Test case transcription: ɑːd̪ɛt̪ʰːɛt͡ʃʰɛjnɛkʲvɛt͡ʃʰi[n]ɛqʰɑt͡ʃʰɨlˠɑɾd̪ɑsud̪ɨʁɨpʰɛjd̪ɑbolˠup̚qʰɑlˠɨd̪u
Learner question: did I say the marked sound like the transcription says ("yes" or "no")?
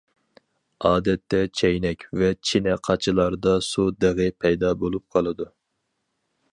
yes